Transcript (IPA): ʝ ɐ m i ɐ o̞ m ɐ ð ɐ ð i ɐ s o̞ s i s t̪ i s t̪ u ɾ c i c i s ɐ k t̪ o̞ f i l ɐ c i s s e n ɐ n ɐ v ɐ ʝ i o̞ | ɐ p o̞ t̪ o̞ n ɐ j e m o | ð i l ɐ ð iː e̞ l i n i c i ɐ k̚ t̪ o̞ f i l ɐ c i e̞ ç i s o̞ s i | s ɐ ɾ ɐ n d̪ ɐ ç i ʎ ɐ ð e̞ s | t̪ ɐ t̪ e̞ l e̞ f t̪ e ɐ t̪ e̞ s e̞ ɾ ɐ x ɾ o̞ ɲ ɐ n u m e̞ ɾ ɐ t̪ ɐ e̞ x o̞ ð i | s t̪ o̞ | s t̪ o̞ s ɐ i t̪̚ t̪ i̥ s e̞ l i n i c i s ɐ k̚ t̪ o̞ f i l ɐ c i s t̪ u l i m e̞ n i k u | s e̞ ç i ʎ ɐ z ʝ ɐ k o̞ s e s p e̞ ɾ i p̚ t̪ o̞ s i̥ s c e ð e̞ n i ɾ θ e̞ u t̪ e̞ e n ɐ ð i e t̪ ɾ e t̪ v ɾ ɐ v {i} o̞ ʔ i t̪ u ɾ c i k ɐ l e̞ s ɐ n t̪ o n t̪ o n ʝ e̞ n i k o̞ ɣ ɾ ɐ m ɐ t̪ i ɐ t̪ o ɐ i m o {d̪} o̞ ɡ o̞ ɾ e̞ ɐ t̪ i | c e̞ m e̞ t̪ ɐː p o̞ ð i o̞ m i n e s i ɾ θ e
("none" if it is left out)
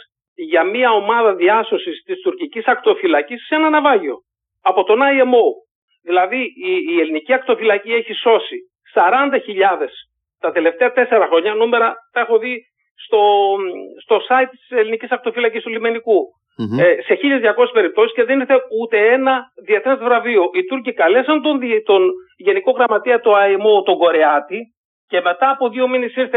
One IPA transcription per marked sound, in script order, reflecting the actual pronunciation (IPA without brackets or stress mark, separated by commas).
i, t̪